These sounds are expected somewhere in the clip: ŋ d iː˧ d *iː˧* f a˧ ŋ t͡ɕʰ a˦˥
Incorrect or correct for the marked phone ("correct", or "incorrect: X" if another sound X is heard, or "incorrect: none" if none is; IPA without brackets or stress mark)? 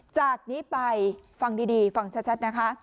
correct